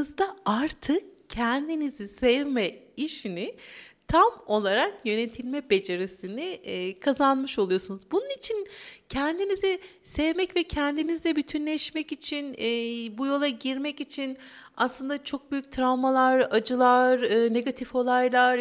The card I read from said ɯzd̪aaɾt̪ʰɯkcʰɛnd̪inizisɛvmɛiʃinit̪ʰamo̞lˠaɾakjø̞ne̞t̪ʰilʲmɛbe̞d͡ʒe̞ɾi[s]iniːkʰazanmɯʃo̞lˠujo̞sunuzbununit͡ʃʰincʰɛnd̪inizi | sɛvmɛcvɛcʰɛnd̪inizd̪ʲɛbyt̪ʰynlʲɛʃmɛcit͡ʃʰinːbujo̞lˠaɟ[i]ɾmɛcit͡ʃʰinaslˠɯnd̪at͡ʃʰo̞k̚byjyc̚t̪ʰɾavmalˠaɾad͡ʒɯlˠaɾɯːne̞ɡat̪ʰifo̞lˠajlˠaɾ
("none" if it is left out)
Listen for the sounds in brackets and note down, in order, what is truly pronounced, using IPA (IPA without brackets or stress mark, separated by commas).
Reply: s, i